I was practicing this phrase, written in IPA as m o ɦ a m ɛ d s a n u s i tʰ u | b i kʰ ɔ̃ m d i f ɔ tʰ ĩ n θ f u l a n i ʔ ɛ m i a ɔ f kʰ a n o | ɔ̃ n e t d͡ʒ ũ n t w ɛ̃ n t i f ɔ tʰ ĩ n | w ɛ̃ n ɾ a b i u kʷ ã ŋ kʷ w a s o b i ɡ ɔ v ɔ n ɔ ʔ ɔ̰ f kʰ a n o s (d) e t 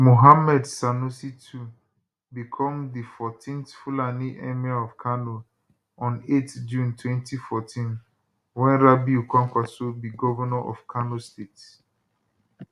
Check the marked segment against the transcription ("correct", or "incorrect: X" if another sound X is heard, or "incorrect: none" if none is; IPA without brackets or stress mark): incorrect: t